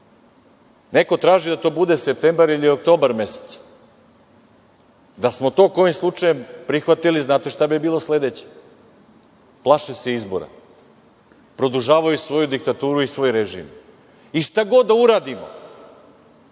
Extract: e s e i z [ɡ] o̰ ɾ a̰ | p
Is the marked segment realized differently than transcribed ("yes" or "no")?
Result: yes